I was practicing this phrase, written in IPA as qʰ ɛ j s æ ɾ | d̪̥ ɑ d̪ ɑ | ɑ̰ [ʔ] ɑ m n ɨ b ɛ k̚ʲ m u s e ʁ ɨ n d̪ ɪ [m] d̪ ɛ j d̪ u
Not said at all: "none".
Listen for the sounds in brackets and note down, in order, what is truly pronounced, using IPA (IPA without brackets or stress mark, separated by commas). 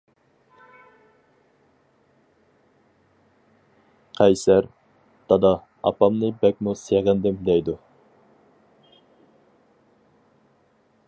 p, m